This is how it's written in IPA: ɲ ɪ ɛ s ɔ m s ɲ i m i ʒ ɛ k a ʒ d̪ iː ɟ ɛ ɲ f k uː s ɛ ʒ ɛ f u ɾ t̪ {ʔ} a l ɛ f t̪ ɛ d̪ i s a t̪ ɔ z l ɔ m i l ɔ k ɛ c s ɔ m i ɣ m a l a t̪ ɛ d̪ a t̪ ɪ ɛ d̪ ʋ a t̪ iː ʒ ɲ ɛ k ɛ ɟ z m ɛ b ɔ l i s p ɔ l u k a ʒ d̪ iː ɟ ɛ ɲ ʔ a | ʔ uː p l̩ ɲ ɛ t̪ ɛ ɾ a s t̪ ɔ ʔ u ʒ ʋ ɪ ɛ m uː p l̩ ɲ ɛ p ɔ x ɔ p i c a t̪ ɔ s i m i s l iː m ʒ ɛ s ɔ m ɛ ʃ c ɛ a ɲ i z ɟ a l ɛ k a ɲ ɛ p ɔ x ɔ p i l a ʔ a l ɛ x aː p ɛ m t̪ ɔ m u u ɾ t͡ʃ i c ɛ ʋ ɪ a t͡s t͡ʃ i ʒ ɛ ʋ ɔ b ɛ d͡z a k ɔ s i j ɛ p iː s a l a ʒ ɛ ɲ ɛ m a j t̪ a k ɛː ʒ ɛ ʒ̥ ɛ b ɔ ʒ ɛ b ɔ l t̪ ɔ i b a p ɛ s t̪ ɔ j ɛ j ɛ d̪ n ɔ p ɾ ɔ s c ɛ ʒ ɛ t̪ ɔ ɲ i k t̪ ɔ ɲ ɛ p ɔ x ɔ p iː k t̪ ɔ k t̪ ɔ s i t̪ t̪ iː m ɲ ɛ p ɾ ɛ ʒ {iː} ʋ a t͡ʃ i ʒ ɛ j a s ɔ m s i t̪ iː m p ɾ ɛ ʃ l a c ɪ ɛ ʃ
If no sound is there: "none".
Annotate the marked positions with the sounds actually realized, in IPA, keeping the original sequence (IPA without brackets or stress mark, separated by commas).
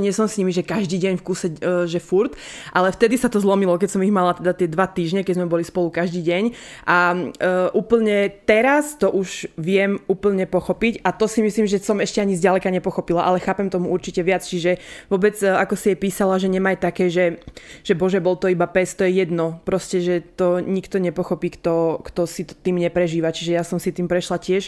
ʔ, iː